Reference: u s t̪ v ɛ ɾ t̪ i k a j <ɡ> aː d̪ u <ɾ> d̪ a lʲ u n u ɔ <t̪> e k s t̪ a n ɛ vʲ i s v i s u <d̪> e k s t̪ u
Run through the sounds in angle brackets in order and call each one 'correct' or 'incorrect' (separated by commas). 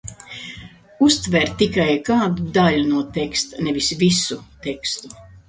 incorrect, incorrect, correct, incorrect